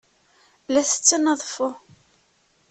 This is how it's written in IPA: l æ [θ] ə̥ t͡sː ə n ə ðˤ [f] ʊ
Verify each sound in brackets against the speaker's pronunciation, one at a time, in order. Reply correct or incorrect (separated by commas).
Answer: correct, correct